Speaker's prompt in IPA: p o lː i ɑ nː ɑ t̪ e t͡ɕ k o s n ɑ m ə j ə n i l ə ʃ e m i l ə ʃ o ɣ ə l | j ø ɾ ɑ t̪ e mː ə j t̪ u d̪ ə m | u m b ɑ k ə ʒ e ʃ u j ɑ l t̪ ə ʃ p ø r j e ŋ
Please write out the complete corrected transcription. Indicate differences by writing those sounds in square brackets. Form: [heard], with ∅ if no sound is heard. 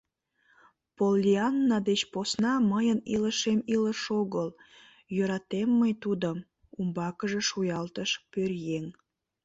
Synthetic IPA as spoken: p o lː i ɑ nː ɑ [d̪] e t͡ɕ [p] o s n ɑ m ə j ə n i l ə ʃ e m i l ə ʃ o ɣ ə l | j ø ɾ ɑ t̪ e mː ə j t̪ u d̪ ə m | u m b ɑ k ə ʒ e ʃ u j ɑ l t̪ ə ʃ p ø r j e ŋ